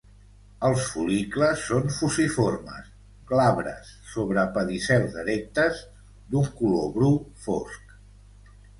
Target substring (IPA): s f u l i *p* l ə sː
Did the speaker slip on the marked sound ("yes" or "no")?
yes